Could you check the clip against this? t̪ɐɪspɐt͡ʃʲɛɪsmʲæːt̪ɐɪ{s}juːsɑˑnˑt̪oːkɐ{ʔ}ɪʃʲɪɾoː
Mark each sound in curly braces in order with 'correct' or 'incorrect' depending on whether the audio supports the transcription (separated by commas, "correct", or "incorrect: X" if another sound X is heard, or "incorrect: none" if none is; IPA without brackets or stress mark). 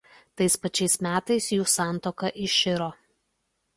correct, correct